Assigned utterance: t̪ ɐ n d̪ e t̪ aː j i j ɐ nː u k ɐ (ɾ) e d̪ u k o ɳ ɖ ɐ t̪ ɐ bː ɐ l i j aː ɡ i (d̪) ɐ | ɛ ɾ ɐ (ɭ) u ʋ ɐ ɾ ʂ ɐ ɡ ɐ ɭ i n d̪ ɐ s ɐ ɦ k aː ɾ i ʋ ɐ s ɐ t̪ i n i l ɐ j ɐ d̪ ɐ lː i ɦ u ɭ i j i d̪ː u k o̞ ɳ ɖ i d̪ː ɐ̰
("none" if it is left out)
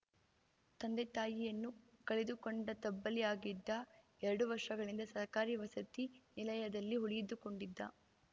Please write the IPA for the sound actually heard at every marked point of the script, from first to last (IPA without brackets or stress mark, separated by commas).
ɭ, d̪ː, ɽ